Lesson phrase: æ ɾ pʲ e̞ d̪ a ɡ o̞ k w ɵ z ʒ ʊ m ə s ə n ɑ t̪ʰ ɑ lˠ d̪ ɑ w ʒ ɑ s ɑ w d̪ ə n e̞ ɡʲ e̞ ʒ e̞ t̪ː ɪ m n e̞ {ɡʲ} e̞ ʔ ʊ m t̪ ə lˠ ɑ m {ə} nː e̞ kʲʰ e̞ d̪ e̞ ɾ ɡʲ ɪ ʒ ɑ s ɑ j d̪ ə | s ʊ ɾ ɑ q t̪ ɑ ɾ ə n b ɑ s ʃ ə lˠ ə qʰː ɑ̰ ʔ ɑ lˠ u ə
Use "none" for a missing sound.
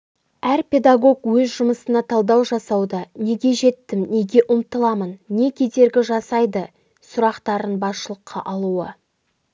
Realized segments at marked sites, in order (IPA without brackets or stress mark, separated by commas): ɡʲ, ə